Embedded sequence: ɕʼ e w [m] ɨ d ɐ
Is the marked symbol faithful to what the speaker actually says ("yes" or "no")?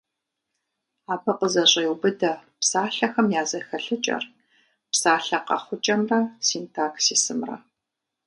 no